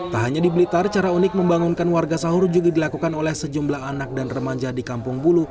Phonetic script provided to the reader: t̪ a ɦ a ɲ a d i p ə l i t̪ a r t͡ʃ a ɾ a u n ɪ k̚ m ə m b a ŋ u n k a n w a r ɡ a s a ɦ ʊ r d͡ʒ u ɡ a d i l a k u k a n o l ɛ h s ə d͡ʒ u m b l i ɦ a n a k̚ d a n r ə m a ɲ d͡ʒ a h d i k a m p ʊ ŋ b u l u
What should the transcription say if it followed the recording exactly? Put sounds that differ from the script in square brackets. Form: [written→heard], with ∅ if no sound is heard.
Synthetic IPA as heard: t̪ a ɦ a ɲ a d i [p→b] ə l i t̪ a r t͡ʃ a ɾ a u n ɪ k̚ m ə m b a ŋ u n k a n w a r ɡ a s a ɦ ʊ r d͡ʒ u ɡ a d i l a k u k a n o l ɛ h s ə d͡ʒ u m b l [i→a] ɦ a n a k̚ d a n r ə m a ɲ d͡ʒ a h d i k a m p ʊ ŋ b u l u